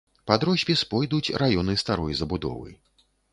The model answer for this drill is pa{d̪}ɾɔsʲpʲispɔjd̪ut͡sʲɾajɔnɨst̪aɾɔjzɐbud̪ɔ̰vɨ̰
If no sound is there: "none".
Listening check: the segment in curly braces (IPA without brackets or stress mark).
d̪